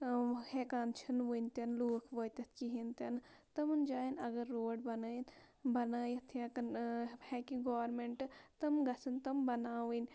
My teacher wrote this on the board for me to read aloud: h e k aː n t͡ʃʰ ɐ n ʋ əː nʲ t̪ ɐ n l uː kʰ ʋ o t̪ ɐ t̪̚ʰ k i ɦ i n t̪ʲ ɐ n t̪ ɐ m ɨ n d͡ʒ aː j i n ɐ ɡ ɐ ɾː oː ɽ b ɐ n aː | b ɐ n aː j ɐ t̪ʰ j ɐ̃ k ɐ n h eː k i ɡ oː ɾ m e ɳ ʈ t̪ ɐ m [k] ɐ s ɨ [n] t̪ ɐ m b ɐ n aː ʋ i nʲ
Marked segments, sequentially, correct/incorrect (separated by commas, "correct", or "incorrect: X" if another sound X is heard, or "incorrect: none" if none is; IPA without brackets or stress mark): incorrect: ɡ, correct